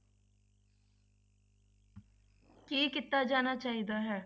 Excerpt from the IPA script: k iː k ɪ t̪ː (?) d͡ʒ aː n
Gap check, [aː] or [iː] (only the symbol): aː